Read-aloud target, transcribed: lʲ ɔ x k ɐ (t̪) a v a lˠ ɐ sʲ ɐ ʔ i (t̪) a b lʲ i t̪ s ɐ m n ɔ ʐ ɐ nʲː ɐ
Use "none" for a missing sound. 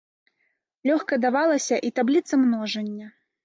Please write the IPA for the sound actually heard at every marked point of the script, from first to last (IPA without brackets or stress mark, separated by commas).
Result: d̪, t̪